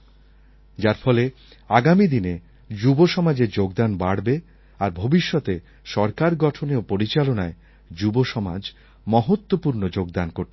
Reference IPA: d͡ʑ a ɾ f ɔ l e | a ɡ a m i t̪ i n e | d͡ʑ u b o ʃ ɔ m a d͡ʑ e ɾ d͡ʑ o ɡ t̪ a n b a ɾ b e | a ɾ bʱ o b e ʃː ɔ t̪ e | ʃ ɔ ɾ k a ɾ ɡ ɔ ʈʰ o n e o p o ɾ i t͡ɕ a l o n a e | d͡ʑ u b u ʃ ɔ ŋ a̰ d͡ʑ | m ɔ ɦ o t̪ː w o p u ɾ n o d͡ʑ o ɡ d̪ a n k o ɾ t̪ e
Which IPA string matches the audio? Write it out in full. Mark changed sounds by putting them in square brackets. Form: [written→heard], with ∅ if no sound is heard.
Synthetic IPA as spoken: d͡ʑ a ɾ f ɔ l e | a ɡ a m i [t̪→d̪] i n e | d͡ʑ u b o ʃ ɔ m a d͡ʑ e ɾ d͡ʑ o ɡ [t̪→d̪] a n b a [ɾ→ɽ] b e | a ɾ bʱ o b [e→i] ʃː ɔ t̪ e | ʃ ɔ ɾ k a ɾ ɡ ɔ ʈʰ o n e o p o ɾ i t͡ɕ a l o n a e | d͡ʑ u b [u→o] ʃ ɔ [ŋ→m] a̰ d͡ʑ | m ɔ ɦ o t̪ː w o p u ɾ n o d͡ʑ o ɡ d̪ a n k o ɾ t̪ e